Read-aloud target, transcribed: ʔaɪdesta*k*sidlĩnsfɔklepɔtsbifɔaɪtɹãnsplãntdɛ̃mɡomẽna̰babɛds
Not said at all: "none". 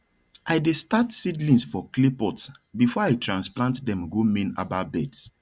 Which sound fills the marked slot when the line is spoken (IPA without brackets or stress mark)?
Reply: t